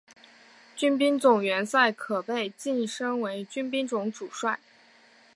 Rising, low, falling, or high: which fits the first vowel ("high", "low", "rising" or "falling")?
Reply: high